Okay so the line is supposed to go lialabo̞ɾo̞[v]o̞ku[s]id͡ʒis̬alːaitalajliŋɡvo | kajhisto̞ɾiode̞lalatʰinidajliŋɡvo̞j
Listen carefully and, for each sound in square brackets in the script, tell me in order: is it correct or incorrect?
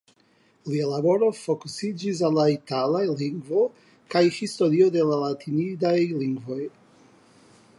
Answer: incorrect: f, correct

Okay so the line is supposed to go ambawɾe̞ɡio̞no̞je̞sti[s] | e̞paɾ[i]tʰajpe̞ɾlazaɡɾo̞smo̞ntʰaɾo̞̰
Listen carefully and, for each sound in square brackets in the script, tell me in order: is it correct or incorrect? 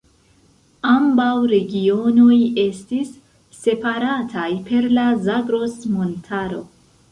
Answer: incorrect: sː, incorrect: a

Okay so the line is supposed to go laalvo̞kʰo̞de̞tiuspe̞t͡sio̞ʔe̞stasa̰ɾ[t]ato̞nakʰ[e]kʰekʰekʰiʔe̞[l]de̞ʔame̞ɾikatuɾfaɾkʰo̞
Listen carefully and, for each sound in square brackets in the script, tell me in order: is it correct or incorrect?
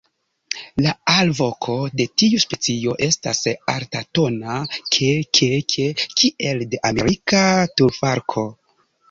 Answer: correct, correct, correct

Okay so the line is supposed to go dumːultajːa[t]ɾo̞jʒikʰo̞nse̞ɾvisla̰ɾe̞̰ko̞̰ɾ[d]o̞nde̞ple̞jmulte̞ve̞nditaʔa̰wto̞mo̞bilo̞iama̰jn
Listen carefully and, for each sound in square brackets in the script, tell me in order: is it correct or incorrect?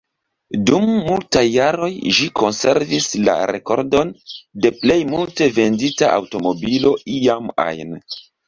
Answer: incorrect: none, correct

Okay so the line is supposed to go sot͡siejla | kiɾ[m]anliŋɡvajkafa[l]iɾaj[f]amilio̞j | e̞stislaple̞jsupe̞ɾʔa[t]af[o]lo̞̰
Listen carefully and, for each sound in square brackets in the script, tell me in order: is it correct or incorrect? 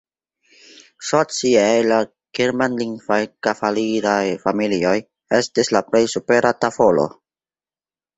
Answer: correct, correct, correct, correct, correct

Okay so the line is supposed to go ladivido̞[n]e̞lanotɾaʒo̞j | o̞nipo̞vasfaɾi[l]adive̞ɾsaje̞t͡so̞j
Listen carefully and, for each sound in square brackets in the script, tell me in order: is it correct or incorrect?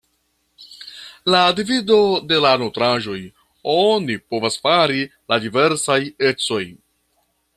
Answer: incorrect: d, correct

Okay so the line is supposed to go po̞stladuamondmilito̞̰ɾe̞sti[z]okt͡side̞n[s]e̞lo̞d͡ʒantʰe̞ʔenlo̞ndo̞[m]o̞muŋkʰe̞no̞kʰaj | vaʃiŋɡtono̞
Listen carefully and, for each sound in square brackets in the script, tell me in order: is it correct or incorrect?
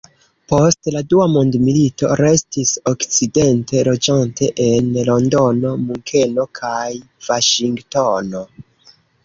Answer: incorrect: s, incorrect: t, incorrect: n

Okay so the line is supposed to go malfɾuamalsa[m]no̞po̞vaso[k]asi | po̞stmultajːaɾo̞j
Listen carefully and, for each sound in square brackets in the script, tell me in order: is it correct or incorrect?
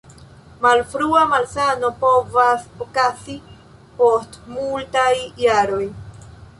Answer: incorrect: none, correct

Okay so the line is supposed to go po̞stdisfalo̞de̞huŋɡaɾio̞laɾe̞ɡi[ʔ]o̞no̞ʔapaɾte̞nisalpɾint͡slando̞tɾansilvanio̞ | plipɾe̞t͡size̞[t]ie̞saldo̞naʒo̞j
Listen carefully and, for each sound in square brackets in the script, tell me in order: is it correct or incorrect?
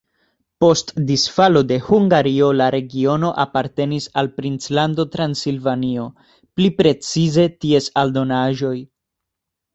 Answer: incorrect: none, correct

